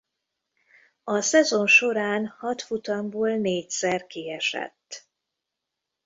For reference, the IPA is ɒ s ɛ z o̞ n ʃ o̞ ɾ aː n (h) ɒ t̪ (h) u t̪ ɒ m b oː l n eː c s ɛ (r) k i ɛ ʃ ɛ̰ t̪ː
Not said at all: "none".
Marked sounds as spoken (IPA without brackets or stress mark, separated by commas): h, f, r